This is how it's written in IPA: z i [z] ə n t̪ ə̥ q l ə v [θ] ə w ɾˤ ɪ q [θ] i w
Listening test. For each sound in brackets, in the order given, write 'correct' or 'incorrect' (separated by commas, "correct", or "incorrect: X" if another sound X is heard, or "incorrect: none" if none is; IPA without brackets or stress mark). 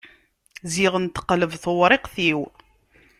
incorrect: ʁ, correct, correct